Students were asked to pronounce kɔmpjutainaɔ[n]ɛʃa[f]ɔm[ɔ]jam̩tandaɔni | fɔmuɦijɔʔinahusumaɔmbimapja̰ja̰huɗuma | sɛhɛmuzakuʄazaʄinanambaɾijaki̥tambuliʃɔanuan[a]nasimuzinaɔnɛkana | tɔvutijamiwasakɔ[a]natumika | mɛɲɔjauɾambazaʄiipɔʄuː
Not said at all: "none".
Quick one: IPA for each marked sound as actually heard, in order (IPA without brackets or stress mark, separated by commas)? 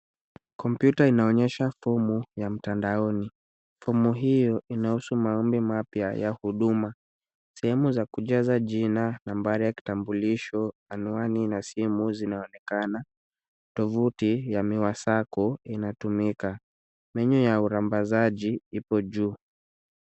ɲ, f, u, i, i